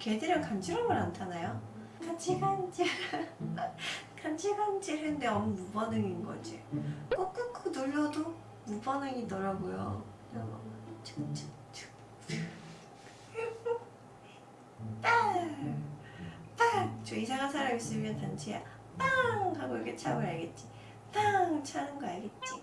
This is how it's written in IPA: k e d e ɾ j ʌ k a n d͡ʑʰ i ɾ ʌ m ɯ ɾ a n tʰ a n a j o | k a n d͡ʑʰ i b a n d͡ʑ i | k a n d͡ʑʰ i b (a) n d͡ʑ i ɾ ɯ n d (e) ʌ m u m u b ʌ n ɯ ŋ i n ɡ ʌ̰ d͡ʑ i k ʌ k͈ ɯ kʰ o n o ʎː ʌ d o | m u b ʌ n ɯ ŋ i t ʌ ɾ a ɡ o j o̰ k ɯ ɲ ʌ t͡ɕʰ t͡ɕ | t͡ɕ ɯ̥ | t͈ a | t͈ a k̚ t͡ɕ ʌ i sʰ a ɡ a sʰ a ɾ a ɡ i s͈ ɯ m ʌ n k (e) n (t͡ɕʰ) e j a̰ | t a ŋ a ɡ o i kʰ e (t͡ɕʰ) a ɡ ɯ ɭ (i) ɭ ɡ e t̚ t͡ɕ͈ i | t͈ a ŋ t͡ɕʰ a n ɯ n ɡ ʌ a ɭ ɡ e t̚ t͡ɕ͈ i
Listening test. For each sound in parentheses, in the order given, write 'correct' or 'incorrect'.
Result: correct, correct, incorrect: a, correct, correct, incorrect: a

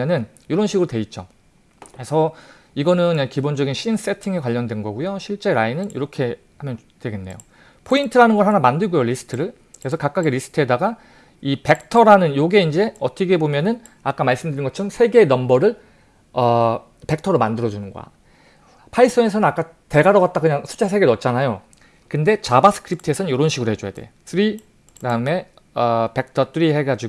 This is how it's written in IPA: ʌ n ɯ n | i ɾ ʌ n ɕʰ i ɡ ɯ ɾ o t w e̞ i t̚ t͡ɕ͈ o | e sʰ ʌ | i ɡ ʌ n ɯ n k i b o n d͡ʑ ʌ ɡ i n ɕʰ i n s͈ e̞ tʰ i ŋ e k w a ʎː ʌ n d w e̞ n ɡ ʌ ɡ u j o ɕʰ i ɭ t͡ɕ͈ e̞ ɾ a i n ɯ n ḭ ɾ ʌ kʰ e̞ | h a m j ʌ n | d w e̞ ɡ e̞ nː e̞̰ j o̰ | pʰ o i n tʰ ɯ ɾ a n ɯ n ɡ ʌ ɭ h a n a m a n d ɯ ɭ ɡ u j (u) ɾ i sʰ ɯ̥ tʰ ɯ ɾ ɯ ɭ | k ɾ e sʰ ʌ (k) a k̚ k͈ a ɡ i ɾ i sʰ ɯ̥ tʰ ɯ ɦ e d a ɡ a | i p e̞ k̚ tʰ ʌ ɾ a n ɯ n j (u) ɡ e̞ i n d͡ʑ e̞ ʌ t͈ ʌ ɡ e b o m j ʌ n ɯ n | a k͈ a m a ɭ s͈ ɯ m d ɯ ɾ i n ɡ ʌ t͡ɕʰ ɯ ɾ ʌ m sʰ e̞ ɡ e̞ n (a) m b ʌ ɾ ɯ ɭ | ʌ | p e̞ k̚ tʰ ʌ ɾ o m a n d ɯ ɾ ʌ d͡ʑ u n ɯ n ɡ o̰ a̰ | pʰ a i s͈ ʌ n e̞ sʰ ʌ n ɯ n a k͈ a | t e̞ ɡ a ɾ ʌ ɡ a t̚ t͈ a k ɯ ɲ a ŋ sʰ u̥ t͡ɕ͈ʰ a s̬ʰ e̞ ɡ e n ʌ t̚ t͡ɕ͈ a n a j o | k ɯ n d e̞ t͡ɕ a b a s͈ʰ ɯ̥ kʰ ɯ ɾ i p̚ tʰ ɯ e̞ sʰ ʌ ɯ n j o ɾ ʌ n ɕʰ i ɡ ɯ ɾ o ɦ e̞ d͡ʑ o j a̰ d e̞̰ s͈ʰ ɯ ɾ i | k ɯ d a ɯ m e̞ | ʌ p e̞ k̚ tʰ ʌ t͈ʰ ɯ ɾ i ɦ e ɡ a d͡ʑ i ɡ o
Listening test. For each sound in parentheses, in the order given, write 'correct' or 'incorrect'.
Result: incorrect: o, correct, incorrect: o, incorrect: ʌ

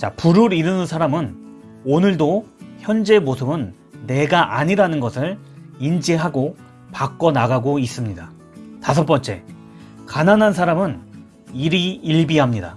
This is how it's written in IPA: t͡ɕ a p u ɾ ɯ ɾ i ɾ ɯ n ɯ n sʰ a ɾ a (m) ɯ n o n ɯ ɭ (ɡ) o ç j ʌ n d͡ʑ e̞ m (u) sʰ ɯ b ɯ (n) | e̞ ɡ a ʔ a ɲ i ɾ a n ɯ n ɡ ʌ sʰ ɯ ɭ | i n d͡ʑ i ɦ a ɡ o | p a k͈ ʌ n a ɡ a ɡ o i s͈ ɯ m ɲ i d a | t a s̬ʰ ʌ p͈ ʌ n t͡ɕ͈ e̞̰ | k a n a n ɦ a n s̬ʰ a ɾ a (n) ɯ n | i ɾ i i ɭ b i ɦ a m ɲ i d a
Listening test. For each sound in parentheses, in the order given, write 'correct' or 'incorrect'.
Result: correct, incorrect: d, incorrect: o, incorrect: nː, incorrect: m

